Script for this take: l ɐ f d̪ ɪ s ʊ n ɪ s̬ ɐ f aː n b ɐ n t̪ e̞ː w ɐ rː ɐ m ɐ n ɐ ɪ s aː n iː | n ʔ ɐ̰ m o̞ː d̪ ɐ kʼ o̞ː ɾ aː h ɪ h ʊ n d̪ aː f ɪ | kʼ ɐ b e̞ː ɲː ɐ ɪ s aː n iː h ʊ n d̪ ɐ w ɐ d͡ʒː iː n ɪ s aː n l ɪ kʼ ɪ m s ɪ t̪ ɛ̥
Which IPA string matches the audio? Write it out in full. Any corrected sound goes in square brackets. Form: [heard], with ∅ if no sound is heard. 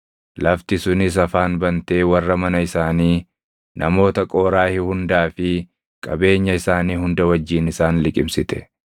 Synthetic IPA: l ɐ f [t̪] ɪ s ʊ n ɪ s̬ ɐ f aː n b ɐ n t̪ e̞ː w ɐ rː ɐ m ɐ n ɐ ɪ s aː n iː | n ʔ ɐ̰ m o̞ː [t̪] ɐ kʼ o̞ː ɾ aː h ɪ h ʊ n d̪ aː f ɪ | kʼ ɐ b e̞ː ɲː ɐ ɪ s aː n iː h ʊ n d̪ ɐ w ɐ d͡ʒː iː n ɪ s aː n l ɪ kʼ ɪ m s ɪ t̪ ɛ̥